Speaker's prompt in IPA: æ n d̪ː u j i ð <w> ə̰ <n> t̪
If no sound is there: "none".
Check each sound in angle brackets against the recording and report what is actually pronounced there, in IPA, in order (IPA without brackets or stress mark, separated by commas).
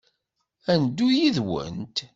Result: w, n